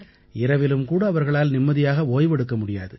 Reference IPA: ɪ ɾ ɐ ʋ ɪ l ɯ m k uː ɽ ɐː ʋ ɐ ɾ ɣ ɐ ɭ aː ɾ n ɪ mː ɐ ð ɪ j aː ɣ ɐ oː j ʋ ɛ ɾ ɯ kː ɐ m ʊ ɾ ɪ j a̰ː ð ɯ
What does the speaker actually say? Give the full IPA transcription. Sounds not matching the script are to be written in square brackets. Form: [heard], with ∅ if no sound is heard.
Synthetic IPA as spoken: ɪ ɾ ɐ ʋ ɪ l ɯ m k uː ɽ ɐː ʋ ɐ ɾ ɣ ɐ ɭ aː [l] n ɪ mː ɐ ð ɪ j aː ɣ ɐ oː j ʋ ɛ [ɽ] ɯ kː ɐ m ʊ [ɽ] ɪ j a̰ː ð ɯ

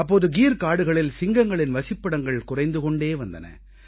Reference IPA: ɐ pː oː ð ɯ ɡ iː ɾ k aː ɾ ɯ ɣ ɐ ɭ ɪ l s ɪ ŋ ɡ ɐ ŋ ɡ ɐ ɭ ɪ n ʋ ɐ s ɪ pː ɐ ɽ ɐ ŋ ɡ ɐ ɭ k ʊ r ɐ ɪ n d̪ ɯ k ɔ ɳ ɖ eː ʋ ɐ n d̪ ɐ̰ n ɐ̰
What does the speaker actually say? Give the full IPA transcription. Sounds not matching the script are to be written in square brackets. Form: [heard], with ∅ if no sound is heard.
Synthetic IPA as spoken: ɐ pː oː ð ɯ ɡ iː ɾ k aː [ɽ] ɯ ɣ ɐ ɭ ɪ l s ɪ ŋ ɡ ɐ ŋ ɡ ɐ ɭ ɪ n ʋ ɐ s ɪ pː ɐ ɽ ɐ ŋ ɡ ɐ ɭ k ʊ r ɐ ɪ n d̪ ɯ k ɔ ɳ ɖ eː ʋ ɐ n d̪ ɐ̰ n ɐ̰

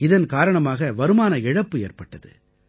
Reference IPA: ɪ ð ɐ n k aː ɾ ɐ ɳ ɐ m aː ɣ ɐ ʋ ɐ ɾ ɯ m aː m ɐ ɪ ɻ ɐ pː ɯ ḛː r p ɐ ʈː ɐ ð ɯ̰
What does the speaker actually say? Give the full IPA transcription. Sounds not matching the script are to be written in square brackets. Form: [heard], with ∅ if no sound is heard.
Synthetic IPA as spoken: ɪ ð ɐ n k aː ɾ ɐ ɳ ɐ m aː ɣ ɐ ʋ ɐ ɾ ɯ m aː [n] ɐ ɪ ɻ ɐ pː ɯ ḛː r p ɐ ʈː ɐ ð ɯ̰

